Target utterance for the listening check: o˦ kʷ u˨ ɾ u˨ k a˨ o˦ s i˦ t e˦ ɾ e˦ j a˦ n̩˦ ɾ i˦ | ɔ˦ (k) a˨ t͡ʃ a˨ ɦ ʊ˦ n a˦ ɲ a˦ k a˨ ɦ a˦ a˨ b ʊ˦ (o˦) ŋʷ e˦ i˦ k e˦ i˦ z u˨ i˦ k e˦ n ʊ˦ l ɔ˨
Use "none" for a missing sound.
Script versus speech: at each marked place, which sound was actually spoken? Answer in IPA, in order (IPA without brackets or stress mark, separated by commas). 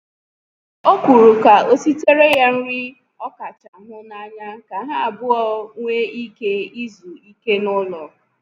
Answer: k, ɔ˦